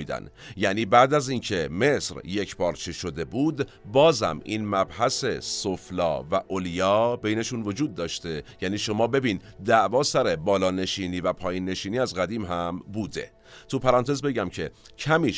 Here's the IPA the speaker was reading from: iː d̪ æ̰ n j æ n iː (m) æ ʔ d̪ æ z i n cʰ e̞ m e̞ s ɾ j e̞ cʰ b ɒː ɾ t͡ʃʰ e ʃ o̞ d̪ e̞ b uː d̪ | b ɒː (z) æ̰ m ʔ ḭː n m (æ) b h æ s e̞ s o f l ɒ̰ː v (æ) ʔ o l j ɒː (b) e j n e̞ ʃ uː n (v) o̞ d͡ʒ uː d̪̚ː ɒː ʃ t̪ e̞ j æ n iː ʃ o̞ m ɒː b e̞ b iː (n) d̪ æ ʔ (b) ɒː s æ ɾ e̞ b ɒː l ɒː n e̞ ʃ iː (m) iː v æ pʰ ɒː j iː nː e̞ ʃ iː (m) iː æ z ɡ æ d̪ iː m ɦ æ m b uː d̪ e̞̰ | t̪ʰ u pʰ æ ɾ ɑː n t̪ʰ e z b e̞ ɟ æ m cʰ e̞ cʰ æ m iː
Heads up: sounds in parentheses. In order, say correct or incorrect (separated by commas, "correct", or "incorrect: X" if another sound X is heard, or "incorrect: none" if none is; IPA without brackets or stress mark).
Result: incorrect: b, correct, correct, correct, correct, correct, correct, incorrect: v, incorrect: n, incorrect: n